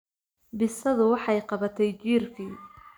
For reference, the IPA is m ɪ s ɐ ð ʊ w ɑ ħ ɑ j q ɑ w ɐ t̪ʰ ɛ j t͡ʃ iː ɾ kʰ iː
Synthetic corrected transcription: b ɪ s ɐ ð ʊ w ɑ ħ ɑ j q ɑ β ɐ t̪ʰ ɛ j t͡ʃ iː r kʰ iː